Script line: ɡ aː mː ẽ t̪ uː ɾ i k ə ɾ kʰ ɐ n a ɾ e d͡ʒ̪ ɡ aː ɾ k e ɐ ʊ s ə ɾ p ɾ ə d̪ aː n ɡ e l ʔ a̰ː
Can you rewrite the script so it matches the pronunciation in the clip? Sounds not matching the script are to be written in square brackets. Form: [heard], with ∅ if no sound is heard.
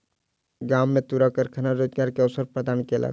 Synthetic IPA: ɡ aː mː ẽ t̪ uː ɾ [a] k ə ɾ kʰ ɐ n a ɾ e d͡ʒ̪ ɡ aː ɾ k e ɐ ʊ s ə ɾ p ɾ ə d̪ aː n [k] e l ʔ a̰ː